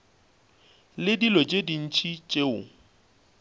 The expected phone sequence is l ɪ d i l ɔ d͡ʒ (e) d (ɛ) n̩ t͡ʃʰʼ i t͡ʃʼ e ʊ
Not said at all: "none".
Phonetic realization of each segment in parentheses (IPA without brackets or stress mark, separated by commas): e, i